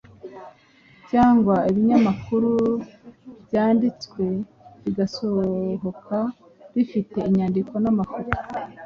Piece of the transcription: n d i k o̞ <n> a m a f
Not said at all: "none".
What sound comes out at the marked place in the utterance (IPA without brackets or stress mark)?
n